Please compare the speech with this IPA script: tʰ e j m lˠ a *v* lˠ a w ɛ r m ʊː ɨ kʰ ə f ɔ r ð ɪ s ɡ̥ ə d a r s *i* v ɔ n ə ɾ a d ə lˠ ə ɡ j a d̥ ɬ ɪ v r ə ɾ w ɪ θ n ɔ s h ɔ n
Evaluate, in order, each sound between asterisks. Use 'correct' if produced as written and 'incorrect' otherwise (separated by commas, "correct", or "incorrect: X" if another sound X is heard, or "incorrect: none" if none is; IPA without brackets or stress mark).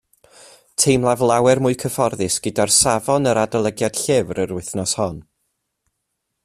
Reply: correct, incorrect: a